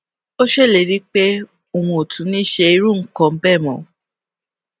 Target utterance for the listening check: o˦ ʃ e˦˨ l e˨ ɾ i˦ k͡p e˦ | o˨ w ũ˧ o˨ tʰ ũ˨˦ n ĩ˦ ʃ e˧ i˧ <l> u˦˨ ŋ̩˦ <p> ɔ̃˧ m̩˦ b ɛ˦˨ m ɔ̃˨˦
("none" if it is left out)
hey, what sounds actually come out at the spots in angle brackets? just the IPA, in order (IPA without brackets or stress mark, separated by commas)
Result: ɾ, k